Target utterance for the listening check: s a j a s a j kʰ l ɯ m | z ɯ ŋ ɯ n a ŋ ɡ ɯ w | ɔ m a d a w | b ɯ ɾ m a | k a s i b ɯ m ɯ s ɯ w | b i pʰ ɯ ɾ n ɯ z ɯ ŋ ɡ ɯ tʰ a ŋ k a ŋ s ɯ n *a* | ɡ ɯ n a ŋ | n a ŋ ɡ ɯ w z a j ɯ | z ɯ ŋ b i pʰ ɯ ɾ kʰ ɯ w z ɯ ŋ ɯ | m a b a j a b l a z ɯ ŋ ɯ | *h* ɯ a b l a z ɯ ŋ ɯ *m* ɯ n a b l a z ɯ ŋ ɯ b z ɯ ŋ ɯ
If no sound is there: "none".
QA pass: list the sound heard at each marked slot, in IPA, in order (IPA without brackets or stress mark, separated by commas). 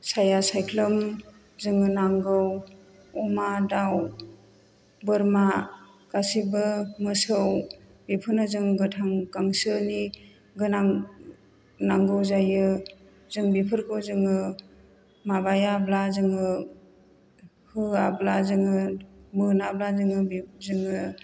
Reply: i, h, m